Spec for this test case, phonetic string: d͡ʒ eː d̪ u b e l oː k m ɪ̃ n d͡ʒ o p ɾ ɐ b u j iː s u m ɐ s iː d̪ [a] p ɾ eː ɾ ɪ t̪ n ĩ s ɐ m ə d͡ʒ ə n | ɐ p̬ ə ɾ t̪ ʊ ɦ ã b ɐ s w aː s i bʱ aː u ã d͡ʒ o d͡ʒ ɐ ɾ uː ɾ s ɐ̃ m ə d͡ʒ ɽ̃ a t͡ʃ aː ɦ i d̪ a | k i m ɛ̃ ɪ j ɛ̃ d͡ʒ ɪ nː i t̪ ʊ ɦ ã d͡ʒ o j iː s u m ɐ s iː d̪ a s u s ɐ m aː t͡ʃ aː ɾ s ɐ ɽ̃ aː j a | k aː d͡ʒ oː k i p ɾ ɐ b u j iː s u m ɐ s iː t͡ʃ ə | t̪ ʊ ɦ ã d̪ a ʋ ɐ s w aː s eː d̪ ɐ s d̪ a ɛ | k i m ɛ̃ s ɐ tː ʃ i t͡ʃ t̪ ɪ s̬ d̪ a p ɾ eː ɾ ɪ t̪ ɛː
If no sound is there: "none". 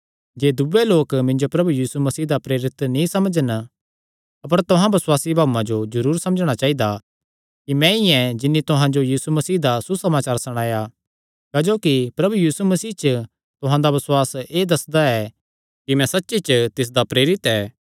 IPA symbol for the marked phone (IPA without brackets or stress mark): a